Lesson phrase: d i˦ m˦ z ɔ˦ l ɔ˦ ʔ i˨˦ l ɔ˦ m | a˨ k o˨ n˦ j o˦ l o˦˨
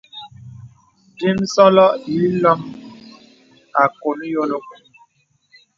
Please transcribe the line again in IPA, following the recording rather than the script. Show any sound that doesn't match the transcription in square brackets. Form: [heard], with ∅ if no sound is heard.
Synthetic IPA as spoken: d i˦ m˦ [s] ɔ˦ l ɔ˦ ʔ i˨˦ l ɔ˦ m | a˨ k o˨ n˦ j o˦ l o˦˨